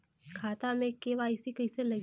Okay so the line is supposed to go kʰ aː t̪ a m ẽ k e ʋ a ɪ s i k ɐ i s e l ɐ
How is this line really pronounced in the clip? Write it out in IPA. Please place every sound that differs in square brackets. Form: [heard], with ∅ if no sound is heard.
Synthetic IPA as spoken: kʰ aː t̪ a m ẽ k e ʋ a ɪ s i k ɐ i s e l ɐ